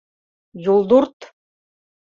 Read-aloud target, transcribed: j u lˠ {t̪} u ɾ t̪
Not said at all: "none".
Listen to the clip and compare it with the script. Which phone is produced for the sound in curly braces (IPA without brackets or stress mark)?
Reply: d̪